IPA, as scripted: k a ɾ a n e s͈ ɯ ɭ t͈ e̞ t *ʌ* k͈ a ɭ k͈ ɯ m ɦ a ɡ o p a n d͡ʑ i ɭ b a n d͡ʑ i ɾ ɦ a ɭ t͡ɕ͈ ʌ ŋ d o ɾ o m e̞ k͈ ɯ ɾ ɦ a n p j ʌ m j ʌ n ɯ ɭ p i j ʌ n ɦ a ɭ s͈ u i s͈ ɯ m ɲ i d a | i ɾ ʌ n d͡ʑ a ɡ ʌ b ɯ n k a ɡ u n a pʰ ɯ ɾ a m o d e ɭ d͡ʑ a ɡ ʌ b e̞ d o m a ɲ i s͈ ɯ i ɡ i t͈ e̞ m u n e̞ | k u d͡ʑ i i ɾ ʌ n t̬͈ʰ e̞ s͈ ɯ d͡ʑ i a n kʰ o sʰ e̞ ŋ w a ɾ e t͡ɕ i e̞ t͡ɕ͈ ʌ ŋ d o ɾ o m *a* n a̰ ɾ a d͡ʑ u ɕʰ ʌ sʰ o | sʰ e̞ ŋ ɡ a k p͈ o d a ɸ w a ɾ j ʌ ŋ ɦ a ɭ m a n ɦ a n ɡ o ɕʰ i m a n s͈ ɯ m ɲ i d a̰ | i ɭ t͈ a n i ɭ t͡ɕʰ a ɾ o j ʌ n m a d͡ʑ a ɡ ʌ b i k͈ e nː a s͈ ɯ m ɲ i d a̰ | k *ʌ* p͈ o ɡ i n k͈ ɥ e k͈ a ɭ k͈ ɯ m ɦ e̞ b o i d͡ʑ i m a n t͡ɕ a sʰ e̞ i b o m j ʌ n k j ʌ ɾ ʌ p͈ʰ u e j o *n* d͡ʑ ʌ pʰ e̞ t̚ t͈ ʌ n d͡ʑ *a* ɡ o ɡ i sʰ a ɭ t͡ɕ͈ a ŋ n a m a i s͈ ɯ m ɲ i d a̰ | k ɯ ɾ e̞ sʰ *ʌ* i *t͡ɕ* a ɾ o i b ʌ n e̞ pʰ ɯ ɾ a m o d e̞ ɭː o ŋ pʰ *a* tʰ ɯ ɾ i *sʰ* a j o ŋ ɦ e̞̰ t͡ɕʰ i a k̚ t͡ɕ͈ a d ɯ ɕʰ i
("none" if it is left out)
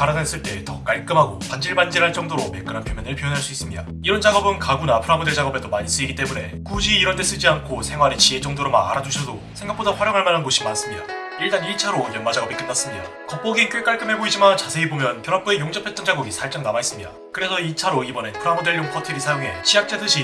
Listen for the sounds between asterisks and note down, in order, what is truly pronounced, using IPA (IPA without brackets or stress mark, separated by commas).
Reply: ʌ, a, ʌ, ŋ, a, ʌ, t͡ɕʰ, ʌ, sʰ